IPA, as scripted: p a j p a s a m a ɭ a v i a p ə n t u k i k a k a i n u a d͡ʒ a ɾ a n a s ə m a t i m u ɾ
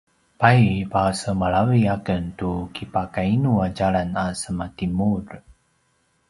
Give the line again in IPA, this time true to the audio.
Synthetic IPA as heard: p a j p a s ə m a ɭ a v i a k ə n t u k i p a k a i n u a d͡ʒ a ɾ a n a s ə m a t i m u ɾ